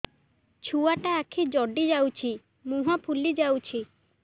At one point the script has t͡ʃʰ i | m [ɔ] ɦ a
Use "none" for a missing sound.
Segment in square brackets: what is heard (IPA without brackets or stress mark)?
u